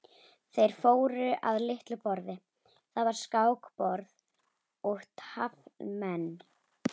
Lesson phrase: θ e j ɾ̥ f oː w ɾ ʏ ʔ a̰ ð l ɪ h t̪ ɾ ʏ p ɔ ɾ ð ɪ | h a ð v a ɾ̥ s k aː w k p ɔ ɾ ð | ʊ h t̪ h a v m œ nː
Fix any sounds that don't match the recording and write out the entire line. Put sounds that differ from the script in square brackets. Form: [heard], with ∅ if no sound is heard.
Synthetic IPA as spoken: θ e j ɾ̥ f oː w ɾ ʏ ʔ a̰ ð l ɪ h t̪ [l] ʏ p ɔ ɾ ð ɪ | [θ] a ð v a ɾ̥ s k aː w k p ɔ ɾ ð | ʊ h t̪ h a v m [ɛ] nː